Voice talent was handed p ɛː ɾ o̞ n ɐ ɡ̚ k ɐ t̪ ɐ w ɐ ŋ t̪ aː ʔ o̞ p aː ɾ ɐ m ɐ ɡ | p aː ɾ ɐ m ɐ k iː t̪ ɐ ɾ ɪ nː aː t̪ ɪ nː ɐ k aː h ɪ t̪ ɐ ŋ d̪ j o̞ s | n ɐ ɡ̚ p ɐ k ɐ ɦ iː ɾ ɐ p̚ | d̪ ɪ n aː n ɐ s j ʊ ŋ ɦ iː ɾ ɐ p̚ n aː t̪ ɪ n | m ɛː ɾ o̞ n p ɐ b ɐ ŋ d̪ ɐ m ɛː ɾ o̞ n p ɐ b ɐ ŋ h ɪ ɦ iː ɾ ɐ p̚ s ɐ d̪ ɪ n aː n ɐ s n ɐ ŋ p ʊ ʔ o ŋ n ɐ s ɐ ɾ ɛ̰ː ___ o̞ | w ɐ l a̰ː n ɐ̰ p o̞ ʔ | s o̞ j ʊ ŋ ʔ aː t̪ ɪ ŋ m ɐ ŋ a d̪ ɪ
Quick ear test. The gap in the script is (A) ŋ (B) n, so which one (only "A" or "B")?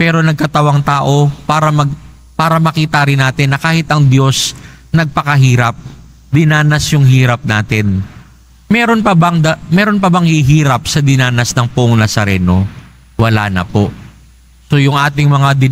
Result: B